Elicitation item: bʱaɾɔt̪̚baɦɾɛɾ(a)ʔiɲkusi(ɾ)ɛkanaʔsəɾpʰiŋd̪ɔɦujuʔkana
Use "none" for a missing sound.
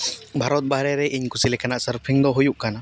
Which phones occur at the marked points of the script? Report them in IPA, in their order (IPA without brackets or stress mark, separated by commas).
ɛ, l